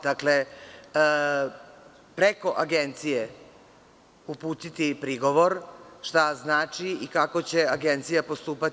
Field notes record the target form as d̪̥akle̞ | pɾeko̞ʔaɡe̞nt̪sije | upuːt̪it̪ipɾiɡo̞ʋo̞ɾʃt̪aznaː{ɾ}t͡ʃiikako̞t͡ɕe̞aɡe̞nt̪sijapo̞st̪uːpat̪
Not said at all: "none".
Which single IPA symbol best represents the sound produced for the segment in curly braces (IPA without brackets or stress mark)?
none